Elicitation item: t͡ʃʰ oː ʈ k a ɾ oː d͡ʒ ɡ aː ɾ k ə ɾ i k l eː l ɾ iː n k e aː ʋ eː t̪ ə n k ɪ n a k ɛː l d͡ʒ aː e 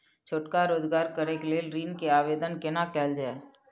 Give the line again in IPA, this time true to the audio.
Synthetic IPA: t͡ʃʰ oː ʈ k a ɾ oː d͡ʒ ɡ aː ɾ k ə ɾ e k l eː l ɾ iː n k e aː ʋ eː d̪ ə n k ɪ n a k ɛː l d͡ʒ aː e